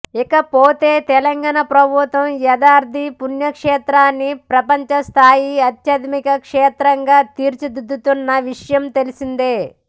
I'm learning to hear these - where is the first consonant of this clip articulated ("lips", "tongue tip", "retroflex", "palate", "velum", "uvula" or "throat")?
velum